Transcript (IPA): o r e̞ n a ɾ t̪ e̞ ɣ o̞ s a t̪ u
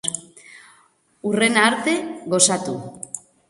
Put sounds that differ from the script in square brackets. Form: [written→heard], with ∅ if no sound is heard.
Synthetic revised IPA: [o→u] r e̞ n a ɾ t̪ e̞ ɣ o̞ s a t̪ u